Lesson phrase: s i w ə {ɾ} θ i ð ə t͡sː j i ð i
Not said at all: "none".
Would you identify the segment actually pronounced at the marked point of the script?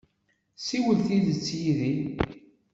l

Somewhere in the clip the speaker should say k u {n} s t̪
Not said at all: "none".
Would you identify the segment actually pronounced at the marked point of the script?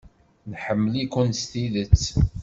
n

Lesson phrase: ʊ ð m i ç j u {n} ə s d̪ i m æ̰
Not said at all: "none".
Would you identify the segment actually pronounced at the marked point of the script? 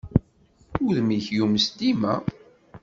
m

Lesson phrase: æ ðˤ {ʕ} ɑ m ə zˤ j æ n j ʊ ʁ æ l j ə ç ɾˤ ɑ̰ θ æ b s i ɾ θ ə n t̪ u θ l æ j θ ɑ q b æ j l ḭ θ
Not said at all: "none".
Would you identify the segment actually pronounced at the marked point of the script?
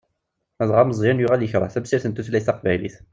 ʁ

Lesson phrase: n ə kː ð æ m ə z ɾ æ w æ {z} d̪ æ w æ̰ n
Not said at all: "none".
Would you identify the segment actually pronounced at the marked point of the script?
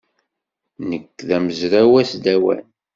s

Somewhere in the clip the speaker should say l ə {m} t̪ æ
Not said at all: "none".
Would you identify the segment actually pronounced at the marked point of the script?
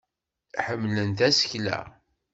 n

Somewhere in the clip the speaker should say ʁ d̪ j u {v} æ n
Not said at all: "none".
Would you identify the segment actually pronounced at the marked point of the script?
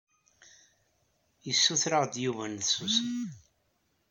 v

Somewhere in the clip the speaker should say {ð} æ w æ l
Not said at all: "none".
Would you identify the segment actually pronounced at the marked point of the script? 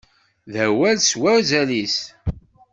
ð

